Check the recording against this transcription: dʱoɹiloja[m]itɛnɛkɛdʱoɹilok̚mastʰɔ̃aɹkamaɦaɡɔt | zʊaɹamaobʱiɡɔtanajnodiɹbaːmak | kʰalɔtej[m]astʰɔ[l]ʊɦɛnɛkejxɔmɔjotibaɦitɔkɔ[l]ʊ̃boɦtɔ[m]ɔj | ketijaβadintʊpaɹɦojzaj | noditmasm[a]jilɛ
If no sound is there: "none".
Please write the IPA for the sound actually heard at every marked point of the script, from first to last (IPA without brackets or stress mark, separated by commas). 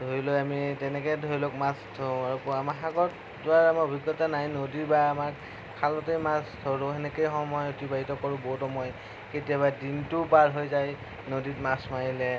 m, m, ɹ, ɹ, m, a